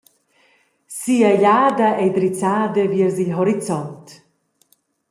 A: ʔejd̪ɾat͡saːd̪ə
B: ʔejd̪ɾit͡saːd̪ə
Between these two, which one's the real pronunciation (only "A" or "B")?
B